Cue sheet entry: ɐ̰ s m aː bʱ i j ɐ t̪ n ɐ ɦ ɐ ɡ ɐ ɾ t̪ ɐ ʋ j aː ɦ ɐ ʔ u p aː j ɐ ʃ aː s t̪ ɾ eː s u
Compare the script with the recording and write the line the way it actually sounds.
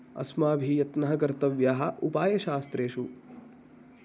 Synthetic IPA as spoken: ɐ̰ s m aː bʱ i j ɐ t̪ n ɐ ɦ ɐ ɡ ɐ ɾ t̪ ɐ ʋ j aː ɦ ɐ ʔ u p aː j ɐ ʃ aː s t̪ ɾ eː ʃ u